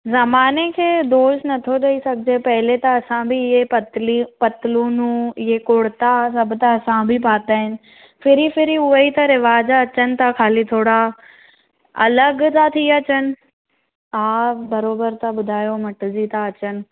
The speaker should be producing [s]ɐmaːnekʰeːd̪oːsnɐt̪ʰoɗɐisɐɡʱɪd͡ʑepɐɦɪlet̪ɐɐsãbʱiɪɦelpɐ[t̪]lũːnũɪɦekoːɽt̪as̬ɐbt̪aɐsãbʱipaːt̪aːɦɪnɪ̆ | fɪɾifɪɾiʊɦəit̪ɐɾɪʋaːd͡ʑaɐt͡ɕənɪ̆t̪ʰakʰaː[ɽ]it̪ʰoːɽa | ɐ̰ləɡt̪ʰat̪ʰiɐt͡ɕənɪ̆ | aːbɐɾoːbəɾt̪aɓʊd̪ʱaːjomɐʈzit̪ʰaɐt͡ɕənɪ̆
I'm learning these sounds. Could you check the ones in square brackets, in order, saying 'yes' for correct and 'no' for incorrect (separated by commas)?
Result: no, yes, no